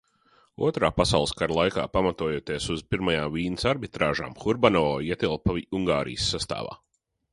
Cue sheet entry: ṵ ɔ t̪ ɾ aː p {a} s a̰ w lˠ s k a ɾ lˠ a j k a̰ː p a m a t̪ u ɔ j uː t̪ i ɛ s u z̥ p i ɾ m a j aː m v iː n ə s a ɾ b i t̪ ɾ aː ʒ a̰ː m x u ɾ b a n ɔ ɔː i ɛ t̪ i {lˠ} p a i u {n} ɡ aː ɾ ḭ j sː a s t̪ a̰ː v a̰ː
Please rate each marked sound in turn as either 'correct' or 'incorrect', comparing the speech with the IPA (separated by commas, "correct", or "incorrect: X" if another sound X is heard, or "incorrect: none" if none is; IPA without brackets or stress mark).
correct, correct, incorrect: ŋ